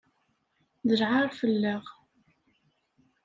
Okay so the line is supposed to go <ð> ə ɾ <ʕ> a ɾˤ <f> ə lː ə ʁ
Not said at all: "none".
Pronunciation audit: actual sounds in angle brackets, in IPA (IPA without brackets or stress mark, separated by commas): ð, ʕ, f